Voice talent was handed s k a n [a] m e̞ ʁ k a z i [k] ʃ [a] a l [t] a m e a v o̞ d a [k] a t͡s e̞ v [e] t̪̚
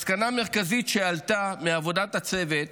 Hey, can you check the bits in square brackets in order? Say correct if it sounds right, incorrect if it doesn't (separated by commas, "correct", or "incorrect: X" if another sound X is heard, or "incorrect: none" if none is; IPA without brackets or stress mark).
correct, incorrect: t, incorrect: e, correct, incorrect: t, correct